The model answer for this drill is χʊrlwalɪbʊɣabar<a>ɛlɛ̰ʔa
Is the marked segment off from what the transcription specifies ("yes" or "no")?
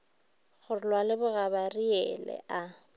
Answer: yes